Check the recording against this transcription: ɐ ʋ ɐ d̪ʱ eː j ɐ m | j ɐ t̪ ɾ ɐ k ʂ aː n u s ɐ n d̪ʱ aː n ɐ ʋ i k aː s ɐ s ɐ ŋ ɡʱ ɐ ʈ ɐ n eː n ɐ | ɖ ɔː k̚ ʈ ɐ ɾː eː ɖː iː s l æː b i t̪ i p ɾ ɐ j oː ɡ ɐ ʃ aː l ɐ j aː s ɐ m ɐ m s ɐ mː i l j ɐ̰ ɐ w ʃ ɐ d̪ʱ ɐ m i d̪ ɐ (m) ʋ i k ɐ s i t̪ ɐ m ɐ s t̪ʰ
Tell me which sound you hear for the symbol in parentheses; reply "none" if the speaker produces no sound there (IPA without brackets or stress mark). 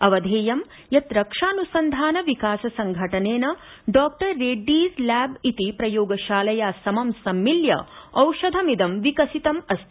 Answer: m